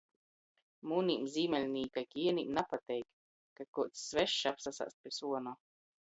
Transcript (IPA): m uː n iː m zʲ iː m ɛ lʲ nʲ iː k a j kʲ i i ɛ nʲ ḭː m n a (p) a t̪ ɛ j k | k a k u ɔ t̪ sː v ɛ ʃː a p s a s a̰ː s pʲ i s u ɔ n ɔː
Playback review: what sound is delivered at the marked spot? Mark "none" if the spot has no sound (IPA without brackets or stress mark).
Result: p